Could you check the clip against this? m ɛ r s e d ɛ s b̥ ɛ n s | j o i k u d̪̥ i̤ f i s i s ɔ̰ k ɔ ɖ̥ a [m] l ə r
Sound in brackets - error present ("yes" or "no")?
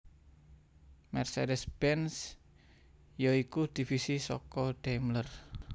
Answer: no